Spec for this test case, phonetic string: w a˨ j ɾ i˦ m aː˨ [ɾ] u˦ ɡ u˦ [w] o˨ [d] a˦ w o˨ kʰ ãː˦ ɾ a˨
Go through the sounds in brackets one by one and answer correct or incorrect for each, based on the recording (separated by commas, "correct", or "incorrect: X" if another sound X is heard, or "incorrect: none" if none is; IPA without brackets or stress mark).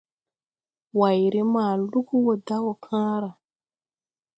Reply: incorrect: l, correct, correct